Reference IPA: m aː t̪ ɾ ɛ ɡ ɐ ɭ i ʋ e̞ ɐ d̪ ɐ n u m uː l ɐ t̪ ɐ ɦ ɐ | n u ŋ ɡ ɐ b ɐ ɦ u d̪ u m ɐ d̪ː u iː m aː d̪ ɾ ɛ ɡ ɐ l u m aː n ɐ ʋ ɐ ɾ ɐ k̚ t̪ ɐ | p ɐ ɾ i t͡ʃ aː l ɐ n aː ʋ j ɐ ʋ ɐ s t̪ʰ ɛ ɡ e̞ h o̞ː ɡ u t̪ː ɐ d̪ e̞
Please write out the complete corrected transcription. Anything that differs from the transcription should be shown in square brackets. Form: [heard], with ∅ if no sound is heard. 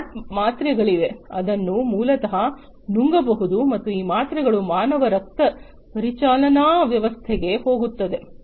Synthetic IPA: m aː t̪ ɾ ɛ ɡ ɐ ɭ i ʋ e̞ ɐ d̪ ɐ [nː] u m uː l ɐ t̪ ɐ ɦ ɐ | n u ŋ ɡ ɐ b ɐ ɦ u d̪ u m ɐ [t̪ː] u iː m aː [t̪] ɾ ɛ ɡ ɐ [ɭ] u m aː n ɐ ʋ ɐ ɾ ɐ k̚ t̪ ɐ | p ɐ ɾ i t͡ʃ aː l ɐ n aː ʋ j ɐ ʋ ɐ s t̪ʰ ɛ ɡ e̞ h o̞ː ɡ u t̪ː ɐ d̪ e̞

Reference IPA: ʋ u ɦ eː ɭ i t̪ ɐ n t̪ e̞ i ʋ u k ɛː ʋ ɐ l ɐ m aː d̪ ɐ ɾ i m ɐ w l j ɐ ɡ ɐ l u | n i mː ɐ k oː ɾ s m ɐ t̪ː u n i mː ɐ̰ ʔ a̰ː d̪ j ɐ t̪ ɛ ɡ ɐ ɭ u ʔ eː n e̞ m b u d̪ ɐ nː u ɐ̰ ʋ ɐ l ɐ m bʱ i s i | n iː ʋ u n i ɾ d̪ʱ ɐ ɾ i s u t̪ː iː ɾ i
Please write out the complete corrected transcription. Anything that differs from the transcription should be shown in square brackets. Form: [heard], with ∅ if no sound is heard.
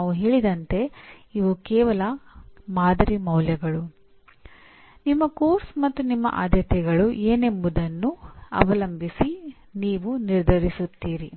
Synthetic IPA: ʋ u ɦ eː ɭ i [d̪] ɐ n t̪ e̞ i ʋ u k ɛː ʋ ɐ l ɐ m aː d̪ ɐ ɾ i m ɐ w l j ɐ ɡ ɐ [ɭ] u | n i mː ɐ k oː ɾ s m ɐ t̪ː u n i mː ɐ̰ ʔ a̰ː d̪ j ɐ t̪ ɛ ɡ ɐ ɭ u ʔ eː n e̞ m b u d̪ ɐ nː u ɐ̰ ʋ ɐ l ɐ m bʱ i s i | n iː ʋ u n i ɾ d̪ʱ ɐ ɾ i s u t̪ː iː ɾ i

